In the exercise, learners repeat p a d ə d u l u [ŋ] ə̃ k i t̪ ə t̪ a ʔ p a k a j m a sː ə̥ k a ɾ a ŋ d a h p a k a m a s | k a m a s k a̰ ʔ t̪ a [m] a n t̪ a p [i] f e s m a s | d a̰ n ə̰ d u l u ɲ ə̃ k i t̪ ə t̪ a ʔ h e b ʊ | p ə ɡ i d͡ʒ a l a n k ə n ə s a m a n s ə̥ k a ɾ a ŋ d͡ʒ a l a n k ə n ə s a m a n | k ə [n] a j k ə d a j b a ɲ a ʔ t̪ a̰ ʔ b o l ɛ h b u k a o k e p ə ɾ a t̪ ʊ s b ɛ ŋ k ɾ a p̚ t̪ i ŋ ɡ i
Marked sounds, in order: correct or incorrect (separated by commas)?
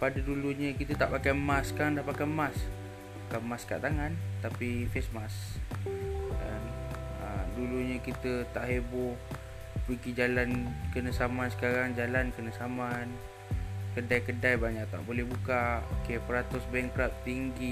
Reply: incorrect, incorrect, correct, incorrect